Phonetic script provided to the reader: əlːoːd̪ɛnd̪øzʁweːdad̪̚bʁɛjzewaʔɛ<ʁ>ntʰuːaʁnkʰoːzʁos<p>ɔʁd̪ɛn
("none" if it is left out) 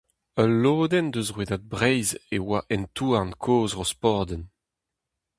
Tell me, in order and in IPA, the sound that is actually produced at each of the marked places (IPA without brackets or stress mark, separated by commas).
none, p